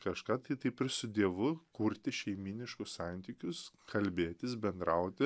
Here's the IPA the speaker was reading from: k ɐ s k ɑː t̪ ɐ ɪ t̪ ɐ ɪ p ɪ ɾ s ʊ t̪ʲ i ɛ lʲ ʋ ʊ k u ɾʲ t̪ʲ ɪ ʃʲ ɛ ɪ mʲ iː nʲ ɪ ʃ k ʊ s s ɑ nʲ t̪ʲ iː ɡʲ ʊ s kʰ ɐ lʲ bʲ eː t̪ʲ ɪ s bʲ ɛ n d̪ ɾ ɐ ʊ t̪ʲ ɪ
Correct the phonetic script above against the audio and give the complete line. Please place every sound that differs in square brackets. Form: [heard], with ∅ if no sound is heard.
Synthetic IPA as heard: k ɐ [ʃ] k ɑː t̪ ɐ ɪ t̪ ɐ ɪ p ɪ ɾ s ʊ [d̪ʲ] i ɛ [∅] ʋ ʊ k u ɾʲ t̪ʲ ɪ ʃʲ ɛ ɪ mʲ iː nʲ ɪ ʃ k ʊ s s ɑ nʲ t̪ʲ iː [kʲ] ʊ s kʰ ɐ lʲ bʲ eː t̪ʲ ɪ s bʲ ɛ n d̪ ɾ ɐ ʊ t̪ʲ ɪ